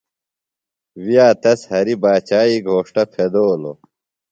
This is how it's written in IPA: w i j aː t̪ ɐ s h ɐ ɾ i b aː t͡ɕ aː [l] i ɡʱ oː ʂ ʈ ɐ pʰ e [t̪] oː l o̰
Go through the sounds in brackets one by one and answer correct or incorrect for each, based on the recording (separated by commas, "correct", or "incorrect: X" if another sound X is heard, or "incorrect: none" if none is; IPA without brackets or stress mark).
incorrect: none, incorrect: d̪